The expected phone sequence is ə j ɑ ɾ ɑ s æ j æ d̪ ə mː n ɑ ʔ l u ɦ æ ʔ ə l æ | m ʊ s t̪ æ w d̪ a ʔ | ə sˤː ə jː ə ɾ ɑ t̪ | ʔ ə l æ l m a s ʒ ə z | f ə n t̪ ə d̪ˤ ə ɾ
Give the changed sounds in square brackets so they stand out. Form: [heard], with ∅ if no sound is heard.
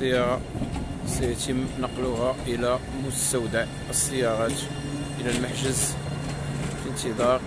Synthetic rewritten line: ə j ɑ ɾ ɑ s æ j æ [t̪] ə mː n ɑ [q] l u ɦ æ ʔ ə l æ | m ʊ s t̪ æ w d̪ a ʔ | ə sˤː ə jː [ɑ] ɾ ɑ t̪ | ʔ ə l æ l m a [ħ] ʒ ə z | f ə n t̪ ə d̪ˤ [ɑ] ɾ